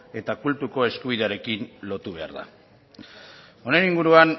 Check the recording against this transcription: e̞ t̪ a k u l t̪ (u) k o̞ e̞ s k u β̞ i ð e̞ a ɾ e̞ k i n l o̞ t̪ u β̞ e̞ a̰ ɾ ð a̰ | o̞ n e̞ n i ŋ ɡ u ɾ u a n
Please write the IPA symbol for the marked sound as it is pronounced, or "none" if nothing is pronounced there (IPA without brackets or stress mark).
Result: u